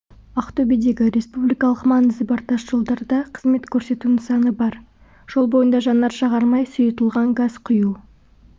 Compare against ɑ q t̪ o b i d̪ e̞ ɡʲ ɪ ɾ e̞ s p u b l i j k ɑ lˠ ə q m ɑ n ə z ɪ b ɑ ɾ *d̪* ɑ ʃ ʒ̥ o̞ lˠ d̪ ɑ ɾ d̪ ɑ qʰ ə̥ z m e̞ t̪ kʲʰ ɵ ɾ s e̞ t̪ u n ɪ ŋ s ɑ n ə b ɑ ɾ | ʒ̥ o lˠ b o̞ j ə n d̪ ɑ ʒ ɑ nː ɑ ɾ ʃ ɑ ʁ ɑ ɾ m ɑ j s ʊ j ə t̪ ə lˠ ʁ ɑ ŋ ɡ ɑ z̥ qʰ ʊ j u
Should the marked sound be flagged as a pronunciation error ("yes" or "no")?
yes